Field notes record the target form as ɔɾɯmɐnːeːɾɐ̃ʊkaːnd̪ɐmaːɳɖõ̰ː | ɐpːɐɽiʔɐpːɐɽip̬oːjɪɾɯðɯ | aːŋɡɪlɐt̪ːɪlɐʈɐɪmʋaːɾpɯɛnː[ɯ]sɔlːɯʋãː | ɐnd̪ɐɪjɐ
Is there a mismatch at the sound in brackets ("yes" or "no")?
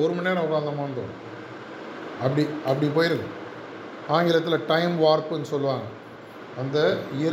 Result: no